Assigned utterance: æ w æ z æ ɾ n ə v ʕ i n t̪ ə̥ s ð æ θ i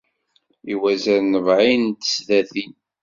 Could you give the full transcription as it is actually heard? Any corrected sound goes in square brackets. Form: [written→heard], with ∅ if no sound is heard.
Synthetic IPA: [æ→i] w æ z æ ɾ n ə v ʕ i n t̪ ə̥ s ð æ θ i